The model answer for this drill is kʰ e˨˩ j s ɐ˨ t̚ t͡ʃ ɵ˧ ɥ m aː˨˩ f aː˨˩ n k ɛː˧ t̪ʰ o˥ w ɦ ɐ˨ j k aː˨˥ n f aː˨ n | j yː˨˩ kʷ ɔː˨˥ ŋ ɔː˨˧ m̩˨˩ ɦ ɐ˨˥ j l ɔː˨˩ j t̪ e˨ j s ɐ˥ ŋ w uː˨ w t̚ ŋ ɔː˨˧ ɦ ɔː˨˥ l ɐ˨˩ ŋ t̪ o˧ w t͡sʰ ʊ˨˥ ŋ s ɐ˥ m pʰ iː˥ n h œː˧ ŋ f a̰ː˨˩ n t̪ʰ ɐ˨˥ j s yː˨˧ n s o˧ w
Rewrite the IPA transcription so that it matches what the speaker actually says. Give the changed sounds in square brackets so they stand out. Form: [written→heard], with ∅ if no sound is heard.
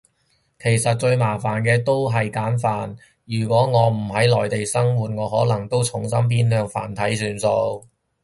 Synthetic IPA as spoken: kʰ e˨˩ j s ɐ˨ t̚ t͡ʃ ɵ˧ ɥ m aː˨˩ f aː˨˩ n k ɛː˧ [t̪ʰ→t̪] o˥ w ɦ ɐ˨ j k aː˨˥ n f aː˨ n | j yː˨˩ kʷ ɔː˨˥ ŋ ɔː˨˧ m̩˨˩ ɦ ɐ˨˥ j l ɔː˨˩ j t̪ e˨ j s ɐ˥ ŋ w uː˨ [w→∅] t̚ ŋ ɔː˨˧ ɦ ɔː˨˥ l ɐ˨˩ ŋ t̪ [o˧→o˥] w t͡sʰ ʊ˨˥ ŋ s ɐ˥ m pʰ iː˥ n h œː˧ ŋ f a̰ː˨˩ n t̪ʰ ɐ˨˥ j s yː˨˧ n s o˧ w